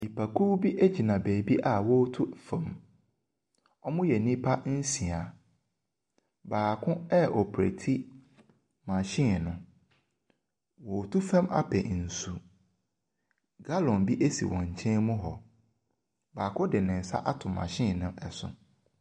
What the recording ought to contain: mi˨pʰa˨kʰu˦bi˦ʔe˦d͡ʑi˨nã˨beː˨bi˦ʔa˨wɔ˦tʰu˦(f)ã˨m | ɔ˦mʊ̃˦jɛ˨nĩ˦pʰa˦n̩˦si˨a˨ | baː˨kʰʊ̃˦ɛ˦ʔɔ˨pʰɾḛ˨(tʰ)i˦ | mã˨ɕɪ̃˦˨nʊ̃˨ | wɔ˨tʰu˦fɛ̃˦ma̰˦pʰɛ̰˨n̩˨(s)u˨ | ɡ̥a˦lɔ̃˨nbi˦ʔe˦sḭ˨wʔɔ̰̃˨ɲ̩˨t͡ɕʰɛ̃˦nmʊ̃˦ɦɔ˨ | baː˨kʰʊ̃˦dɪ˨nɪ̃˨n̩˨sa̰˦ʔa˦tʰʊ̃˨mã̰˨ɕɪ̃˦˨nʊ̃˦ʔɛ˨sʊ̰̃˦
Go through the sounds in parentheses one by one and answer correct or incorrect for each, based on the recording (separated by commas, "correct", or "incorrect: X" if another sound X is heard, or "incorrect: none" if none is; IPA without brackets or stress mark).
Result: correct, correct, correct